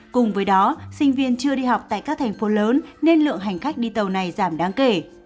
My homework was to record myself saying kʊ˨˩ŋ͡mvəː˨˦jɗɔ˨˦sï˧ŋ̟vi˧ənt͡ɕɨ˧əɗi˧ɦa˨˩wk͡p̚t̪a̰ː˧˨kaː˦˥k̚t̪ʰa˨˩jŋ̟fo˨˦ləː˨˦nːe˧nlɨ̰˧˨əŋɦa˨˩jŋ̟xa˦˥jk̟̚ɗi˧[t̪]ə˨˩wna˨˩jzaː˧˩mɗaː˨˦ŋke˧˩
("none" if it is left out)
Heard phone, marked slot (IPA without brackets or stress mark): t̪